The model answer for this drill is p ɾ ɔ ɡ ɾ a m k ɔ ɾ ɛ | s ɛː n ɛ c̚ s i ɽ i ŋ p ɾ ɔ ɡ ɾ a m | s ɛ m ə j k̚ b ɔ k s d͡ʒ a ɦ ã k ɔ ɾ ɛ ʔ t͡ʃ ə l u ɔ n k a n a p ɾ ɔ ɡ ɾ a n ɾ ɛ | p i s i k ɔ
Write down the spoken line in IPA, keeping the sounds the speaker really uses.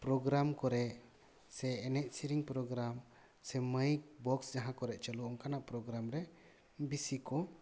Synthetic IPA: p ɾ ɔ ɡ ɾ a m k ɔ ɾ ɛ | s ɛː n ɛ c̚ s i ɾ i ŋ p ɾ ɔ ɡ ɾ a m | s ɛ m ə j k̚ b ɔ k s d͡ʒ a ɦ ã k ɔ ɾ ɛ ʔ t͡ʃ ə l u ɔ ŋ k a n a p ɾ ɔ ɡ ɾ a m ɾ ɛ | b i s i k ɔ